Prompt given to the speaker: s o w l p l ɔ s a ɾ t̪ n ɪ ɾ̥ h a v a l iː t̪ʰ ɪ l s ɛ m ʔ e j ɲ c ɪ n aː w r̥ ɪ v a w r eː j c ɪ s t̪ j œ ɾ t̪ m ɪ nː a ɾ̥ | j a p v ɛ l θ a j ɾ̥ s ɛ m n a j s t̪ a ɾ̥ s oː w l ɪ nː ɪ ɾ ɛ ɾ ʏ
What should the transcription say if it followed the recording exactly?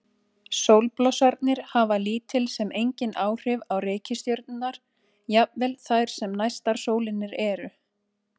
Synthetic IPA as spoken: s o w l p l ɔ s a ɾ t̪ n ɪ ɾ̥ h a v a l iː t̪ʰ ɪ l s ɛ m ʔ e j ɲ c ɪ n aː w r̥ ɪ v a w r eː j c ɪ s t̪ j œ ɾ t̪ n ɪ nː a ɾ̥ | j a p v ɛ l θ a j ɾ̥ s ɛ m n a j s t̪ a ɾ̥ s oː w l ɪ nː ɪ ɾ ɛ ɾ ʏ